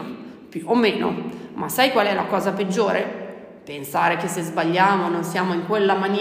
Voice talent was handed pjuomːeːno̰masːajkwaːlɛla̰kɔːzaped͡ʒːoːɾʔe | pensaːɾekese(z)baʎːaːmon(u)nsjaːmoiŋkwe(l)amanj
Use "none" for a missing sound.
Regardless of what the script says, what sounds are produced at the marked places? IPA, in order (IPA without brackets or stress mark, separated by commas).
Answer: z, o, lː